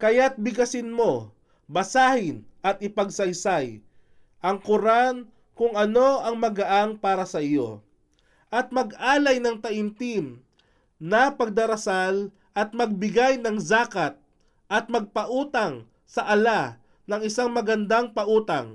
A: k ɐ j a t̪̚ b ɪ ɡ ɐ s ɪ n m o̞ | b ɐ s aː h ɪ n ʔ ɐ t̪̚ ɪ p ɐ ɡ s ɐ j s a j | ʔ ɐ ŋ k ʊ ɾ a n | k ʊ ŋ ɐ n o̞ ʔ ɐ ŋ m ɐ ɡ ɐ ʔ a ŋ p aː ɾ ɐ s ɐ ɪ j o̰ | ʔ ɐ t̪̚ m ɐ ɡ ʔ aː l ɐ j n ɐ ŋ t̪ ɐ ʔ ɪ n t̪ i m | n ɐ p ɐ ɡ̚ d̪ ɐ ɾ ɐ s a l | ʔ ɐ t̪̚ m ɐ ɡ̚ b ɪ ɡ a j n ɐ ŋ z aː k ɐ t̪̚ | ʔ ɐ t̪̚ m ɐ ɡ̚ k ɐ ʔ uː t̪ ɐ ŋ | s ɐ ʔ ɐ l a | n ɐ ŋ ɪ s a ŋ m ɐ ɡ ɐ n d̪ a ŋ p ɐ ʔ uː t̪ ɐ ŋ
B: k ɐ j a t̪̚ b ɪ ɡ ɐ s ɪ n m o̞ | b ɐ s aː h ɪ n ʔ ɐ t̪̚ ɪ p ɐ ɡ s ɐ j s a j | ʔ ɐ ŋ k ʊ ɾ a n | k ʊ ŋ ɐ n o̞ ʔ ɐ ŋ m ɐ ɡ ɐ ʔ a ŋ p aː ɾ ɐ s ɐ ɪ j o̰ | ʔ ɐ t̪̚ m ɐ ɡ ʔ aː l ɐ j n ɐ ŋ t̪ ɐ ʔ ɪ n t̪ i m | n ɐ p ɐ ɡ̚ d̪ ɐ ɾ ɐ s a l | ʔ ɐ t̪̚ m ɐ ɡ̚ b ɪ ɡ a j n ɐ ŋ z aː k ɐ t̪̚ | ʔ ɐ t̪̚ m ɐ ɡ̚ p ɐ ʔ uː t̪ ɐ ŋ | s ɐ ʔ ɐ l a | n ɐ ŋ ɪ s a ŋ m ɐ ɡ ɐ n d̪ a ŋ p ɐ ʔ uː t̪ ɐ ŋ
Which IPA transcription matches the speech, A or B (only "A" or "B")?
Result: B